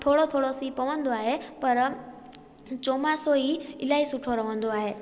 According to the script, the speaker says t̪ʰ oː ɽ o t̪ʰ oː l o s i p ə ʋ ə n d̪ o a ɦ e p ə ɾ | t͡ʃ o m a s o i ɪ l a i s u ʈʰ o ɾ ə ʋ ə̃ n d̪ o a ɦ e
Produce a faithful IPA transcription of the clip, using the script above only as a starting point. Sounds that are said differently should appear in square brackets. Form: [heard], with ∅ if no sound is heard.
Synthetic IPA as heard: t̪ʰ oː ɽ o t̪ʰ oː [ɽ] o s i p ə ʋ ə n d̪ o a ɦ e p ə ɾ | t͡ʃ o m a s o i ɪ l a i s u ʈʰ o ɾ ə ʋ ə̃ n d̪ o a ɦ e